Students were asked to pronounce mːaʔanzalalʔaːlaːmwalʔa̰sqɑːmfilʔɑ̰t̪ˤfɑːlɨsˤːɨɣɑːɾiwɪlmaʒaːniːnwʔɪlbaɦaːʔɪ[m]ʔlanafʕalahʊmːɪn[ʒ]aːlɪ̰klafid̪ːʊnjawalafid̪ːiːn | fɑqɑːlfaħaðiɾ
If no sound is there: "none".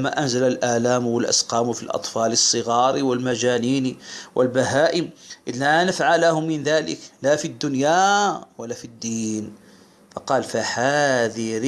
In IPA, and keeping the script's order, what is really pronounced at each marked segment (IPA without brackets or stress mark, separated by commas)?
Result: m, ð